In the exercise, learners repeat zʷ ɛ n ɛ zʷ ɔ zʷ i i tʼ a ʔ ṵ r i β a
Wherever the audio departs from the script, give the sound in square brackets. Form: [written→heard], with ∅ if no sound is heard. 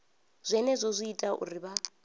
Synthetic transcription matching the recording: zʷ ɛ n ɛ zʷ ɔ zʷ i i tʼ a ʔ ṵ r i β a